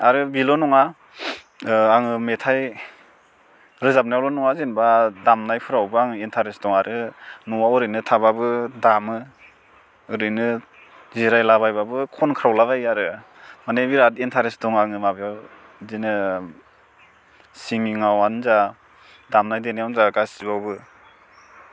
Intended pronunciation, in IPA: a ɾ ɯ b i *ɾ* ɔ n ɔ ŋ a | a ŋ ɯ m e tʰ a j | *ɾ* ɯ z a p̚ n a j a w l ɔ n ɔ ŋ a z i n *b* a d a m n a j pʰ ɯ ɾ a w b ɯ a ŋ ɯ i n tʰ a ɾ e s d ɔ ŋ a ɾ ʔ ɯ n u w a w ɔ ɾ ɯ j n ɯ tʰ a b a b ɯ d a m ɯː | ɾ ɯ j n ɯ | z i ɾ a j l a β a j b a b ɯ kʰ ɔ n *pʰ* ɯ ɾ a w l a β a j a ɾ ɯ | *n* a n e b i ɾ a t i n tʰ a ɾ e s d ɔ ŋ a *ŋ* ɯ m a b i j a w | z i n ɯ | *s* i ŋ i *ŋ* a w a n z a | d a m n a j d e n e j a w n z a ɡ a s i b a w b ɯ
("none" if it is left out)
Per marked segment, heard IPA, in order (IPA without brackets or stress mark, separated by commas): l, ɾ, b, kʰ, m, ŋ, s, ŋ